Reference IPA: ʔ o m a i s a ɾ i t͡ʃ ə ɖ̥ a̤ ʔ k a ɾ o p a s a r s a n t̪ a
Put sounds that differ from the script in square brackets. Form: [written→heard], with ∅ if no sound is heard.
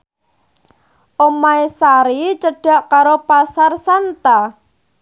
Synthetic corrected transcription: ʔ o m a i s a ɾ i t͡ʃ ə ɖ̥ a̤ ʔ k a ɾ o p a s a r s a n t̪ a